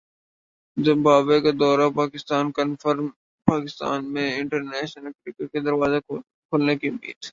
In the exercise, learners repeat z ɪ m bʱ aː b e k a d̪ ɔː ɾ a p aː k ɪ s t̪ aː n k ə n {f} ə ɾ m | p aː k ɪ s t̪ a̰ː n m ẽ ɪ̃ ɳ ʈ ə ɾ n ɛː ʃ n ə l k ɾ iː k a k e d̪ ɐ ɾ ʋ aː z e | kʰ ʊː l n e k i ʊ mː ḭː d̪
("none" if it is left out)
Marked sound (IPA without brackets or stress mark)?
f